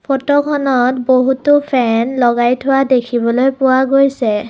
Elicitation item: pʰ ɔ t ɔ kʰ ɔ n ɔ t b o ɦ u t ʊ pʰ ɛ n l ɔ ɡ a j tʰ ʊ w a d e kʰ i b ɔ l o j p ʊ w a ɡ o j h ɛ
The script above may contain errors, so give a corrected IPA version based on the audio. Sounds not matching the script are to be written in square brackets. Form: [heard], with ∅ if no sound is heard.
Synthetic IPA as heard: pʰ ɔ t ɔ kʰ ɔ n ɔ t b o ɦ u t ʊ pʰ ɛ n l ɔ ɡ a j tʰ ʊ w a d e kʰ i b ɔ l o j p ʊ w a ɡ o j [s] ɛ